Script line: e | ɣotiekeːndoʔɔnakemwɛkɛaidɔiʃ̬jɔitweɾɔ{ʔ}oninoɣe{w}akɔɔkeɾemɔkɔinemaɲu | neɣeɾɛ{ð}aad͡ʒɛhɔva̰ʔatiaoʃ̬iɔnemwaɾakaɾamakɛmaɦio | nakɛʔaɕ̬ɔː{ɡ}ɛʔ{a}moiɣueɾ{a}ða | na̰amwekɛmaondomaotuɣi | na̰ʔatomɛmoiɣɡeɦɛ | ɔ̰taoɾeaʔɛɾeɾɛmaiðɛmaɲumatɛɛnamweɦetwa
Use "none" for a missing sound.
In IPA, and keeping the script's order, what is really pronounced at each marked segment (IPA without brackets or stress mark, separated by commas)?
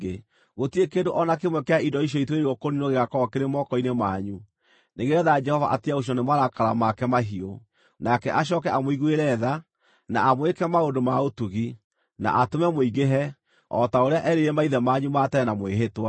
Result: k, ɣ, ð, k, a, ɛ